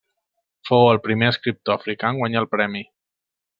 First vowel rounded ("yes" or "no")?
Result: yes